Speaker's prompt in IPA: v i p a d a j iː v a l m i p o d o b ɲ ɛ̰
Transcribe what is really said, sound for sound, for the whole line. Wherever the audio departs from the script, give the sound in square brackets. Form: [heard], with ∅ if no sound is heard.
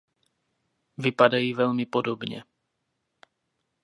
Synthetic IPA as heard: v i p a d a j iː v [ɛ] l m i p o d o b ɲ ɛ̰